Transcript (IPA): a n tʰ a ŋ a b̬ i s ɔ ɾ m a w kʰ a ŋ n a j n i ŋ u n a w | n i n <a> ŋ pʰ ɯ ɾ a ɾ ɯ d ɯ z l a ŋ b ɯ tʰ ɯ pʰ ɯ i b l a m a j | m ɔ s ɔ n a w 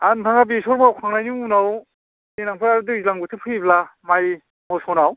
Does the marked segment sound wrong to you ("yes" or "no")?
no